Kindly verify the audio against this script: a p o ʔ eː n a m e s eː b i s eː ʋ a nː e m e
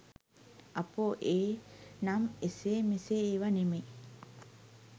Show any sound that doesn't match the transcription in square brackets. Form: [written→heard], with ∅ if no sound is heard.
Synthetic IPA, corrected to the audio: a p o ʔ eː n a m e s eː [b→m] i s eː ʋ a [nː→n] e m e